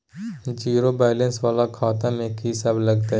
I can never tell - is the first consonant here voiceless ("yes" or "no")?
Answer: no